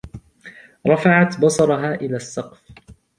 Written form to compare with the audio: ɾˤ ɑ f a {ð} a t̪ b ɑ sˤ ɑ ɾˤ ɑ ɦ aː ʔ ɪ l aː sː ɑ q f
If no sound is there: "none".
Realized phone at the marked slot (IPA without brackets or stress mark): ʕ